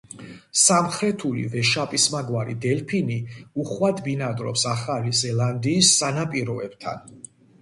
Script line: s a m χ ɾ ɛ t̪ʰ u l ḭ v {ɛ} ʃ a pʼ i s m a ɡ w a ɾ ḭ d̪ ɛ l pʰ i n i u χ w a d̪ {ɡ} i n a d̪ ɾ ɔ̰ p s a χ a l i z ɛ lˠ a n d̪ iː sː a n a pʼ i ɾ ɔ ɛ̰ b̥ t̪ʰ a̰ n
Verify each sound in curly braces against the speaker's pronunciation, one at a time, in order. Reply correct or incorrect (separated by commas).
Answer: correct, incorrect